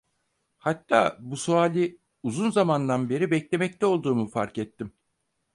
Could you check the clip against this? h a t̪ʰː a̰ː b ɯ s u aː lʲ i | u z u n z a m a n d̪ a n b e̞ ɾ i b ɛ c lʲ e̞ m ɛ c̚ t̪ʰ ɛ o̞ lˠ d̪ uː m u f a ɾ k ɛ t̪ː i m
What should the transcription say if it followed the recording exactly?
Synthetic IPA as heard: h a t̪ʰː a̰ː b u s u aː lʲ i | u z u n z a m a n d̪ a n b e̞ ɾ i b ɛ c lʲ e̞ m ɛ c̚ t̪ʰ ɛ o̞ lˠ d̪ uː m u f a ɾ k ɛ t̪ː i m